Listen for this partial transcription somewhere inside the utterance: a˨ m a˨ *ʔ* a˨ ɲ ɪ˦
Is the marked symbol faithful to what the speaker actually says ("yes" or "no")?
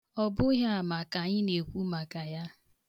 no